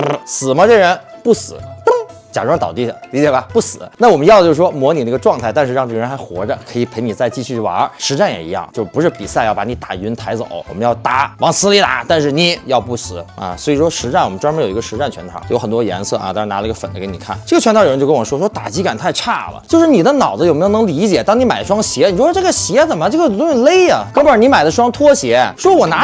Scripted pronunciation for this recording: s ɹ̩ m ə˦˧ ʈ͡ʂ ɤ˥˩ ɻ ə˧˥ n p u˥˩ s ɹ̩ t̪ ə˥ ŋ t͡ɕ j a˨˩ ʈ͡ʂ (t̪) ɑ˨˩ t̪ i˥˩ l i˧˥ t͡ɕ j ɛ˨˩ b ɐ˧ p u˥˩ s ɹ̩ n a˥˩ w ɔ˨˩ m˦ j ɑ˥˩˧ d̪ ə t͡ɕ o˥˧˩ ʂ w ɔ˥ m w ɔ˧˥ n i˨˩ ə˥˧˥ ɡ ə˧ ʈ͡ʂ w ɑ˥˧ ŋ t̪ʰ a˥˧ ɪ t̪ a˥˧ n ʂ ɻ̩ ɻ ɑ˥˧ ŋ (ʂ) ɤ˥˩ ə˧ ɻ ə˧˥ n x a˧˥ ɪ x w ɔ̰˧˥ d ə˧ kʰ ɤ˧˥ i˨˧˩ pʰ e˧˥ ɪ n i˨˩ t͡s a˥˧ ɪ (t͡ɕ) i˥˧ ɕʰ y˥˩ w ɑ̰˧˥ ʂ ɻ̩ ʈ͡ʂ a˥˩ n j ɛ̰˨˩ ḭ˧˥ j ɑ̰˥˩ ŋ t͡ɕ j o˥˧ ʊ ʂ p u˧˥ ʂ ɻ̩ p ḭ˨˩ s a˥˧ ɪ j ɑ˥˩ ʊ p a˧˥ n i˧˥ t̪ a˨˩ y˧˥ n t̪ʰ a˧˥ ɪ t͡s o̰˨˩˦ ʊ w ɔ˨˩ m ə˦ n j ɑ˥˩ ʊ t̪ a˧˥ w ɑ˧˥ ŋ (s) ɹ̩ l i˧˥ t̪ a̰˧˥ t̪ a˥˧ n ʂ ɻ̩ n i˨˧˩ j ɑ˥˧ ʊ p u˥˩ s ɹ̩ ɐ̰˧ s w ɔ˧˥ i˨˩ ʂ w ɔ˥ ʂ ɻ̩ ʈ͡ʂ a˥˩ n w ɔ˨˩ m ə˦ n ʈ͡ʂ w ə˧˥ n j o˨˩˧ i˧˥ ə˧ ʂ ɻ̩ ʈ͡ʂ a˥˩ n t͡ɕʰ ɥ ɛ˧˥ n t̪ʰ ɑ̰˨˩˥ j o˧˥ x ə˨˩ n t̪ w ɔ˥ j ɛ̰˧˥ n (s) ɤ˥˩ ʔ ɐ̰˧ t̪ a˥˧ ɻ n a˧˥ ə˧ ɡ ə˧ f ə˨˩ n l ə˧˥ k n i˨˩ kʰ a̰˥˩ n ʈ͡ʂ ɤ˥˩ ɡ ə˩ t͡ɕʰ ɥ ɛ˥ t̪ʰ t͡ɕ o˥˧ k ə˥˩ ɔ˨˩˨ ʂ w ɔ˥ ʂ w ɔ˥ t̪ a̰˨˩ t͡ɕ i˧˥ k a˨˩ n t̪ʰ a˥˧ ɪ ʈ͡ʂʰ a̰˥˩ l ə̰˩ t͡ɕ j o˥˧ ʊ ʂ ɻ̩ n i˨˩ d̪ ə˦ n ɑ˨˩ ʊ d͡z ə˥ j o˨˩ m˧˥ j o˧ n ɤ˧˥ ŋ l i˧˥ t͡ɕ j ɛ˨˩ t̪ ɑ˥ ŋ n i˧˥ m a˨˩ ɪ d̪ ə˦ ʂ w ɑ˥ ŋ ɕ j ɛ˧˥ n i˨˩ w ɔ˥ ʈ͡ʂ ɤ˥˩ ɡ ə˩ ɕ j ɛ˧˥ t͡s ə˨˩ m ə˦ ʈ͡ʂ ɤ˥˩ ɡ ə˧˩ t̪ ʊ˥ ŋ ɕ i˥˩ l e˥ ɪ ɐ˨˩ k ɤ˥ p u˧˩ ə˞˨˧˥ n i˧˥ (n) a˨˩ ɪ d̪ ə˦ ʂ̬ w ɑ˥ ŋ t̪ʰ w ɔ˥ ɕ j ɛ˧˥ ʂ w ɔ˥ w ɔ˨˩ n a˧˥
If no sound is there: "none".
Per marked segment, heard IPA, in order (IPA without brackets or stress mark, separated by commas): t̪, ʈ͡ʂ, t͡ɕ, s, s, m